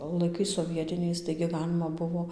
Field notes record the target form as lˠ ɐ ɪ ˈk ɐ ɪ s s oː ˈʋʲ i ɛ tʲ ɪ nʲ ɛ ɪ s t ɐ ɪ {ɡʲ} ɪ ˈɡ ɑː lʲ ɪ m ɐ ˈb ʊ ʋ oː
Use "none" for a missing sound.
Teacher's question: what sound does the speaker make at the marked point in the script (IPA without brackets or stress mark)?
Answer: ɡʲ